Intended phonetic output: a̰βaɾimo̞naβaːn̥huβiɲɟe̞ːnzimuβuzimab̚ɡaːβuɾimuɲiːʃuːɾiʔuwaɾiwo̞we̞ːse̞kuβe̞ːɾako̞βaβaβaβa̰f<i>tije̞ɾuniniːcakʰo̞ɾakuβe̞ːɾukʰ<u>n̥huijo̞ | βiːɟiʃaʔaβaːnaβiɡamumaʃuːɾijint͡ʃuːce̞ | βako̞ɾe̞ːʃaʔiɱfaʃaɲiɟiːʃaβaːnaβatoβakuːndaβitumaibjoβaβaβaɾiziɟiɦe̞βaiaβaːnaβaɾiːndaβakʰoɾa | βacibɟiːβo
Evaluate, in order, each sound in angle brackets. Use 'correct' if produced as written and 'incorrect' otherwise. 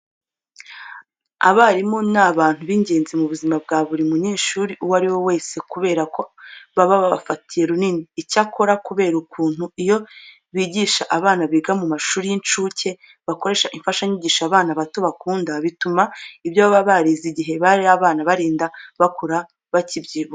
incorrect: a, incorrect: uː

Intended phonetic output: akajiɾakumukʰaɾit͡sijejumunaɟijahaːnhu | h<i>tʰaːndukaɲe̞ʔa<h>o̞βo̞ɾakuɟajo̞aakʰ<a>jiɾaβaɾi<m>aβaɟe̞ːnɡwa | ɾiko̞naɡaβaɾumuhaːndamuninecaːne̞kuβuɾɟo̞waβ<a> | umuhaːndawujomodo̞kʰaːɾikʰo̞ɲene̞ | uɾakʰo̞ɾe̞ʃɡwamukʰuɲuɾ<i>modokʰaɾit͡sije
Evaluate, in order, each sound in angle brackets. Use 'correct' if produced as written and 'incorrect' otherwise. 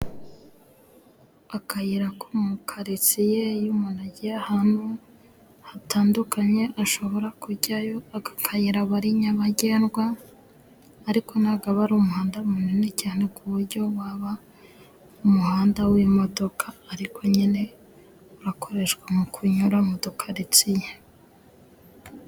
incorrect: a, incorrect: ʃ, correct, incorrect: ɲ, correct, incorrect: a

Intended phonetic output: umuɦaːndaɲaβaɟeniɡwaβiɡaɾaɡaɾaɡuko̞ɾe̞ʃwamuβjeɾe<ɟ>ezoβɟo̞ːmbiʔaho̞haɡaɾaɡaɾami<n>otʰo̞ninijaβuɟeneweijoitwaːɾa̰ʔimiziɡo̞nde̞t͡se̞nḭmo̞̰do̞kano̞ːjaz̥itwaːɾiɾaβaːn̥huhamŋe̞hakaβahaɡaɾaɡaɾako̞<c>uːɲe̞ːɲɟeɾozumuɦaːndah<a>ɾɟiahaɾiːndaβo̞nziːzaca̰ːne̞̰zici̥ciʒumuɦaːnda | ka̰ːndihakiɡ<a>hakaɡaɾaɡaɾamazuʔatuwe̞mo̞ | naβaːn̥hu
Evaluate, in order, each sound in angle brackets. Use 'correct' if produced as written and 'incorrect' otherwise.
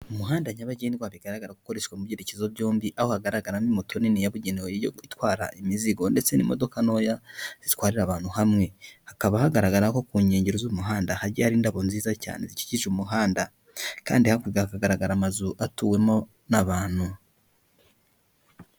incorrect: c, incorrect: m, incorrect: k, correct, correct

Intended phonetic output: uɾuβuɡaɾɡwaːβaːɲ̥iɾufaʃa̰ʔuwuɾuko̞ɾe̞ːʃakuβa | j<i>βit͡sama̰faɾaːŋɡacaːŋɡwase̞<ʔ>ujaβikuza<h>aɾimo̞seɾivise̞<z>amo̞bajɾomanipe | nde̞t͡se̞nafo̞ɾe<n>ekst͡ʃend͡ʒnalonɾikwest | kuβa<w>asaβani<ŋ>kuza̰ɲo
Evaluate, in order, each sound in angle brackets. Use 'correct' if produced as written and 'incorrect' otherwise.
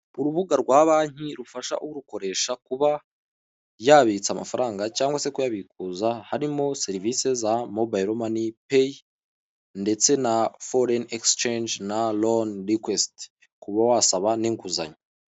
incorrect: a, incorrect: k, correct, correct, correct, correct, correct

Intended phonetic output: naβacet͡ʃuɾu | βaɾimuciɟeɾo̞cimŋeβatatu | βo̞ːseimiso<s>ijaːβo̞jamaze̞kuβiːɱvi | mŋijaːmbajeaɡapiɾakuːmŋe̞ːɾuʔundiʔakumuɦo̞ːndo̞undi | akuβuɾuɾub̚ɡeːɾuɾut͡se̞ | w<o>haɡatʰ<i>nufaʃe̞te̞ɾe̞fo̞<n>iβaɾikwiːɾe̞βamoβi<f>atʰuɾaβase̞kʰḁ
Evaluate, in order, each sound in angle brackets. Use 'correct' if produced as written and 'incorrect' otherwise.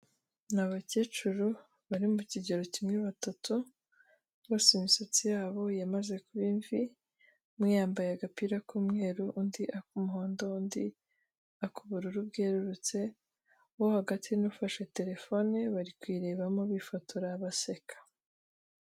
incorrect: t͡s, correct, correct, correct, correct

